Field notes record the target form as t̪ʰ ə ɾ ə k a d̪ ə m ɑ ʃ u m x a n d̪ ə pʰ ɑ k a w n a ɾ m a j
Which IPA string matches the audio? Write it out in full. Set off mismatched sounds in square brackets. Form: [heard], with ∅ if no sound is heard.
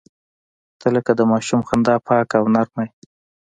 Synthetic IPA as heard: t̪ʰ ə [l] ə k a d̪ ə m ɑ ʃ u m x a n d̪ [ɑ] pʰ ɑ k a w n a ɾ m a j